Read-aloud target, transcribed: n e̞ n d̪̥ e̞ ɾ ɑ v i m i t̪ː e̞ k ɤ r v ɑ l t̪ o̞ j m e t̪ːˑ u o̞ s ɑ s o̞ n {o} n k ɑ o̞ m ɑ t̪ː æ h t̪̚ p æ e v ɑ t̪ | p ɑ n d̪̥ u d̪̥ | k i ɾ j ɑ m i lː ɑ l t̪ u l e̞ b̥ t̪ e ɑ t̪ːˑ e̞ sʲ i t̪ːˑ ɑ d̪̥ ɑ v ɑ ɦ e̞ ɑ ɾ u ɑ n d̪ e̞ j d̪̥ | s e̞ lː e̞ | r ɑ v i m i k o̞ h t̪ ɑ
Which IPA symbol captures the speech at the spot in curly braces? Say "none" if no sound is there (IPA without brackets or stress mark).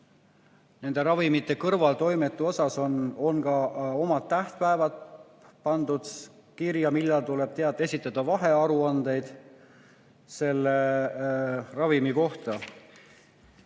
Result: o